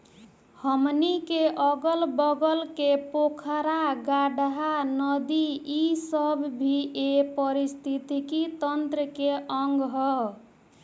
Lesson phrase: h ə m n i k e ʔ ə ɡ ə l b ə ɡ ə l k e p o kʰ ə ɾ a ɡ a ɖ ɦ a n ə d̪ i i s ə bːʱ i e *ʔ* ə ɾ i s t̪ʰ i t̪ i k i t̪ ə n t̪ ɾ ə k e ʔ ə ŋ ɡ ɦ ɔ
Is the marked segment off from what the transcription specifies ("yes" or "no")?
yes